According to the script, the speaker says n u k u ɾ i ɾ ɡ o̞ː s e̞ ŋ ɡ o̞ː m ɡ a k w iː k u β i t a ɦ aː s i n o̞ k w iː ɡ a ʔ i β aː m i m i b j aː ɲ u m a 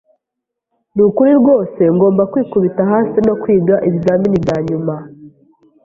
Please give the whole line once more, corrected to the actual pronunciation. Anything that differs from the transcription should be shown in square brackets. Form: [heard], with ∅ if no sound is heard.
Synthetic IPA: n u k u ɾ i ɾ ɡ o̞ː s e̞ ŋ ɡ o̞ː m [b] a k w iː k u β i t a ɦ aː s i n o̞ k w iː ɡ a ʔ i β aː m i [n] i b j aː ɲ u m a